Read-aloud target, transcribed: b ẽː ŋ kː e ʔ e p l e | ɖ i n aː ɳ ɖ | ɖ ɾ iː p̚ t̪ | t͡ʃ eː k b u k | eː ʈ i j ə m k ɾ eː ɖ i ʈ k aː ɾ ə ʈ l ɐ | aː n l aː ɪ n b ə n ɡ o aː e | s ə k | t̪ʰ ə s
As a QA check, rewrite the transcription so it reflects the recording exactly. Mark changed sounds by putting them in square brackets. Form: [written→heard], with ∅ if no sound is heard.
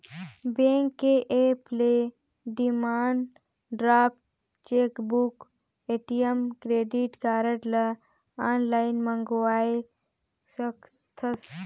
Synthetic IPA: b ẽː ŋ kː e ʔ e p l e | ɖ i [n→m] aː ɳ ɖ | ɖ ɾ [iː→aː] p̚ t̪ | t͡ʃ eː k b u k | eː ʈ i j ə m k ɾ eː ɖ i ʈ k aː ɾ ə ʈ l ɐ | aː n l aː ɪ n [b→m] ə [n→ŋ] ɡ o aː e | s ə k | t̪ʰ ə s